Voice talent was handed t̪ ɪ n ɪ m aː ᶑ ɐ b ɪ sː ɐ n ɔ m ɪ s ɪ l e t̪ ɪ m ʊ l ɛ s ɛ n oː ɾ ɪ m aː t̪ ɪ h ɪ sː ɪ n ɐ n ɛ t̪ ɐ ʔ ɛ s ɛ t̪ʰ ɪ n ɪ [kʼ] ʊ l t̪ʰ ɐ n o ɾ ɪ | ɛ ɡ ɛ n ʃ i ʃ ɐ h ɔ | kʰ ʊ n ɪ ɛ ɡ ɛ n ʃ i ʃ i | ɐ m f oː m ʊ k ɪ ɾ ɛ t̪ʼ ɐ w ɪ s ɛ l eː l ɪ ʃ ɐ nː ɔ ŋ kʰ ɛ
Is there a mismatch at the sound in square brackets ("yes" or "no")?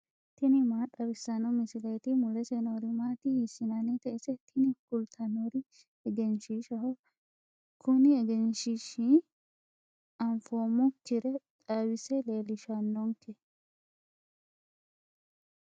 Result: yes